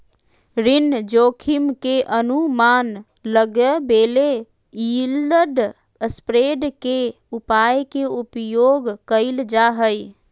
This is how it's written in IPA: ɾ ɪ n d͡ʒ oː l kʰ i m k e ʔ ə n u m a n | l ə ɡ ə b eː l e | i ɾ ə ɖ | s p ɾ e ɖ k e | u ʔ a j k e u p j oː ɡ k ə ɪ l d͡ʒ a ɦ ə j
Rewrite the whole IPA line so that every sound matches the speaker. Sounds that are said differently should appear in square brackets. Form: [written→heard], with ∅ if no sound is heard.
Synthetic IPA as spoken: ɾ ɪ n d͡ʒ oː [l→∅] kʰ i m k e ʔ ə n u m a n | l ə ɡ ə b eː l e | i [ɾ→l] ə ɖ | s p ɾ e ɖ k e | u [ʔ→p] a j k e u p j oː ɡ k ə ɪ l d͡ʒ a ɦ ə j